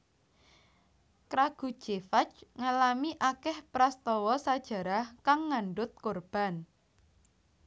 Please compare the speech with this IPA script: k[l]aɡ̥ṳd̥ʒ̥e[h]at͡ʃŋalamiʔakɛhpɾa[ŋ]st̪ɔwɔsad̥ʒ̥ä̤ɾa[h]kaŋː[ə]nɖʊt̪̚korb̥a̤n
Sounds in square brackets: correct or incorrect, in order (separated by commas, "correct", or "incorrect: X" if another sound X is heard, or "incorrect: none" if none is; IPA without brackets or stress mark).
incorrect: ɾ, incorrect: f, incorrect: none, correct, incorrect: a